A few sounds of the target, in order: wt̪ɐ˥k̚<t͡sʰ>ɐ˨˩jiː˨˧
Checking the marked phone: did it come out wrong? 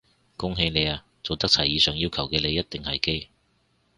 no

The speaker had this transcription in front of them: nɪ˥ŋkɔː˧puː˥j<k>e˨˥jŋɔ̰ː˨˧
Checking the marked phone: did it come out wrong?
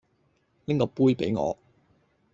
yes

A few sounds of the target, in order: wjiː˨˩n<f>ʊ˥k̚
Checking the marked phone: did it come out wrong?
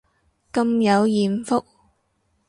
no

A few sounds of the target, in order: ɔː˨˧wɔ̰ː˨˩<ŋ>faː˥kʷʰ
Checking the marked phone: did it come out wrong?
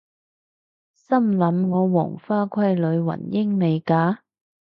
no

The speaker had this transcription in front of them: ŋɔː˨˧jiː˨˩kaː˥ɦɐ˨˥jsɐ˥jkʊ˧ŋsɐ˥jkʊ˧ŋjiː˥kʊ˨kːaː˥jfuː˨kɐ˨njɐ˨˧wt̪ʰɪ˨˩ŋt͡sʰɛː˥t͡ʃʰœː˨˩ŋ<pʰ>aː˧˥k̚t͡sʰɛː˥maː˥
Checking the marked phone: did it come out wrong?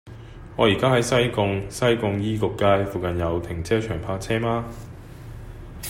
no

